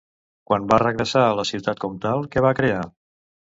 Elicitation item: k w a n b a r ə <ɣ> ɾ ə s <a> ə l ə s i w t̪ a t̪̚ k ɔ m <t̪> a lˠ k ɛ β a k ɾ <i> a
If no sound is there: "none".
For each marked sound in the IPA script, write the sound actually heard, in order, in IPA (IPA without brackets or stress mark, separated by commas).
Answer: ɣ, a, t̪, e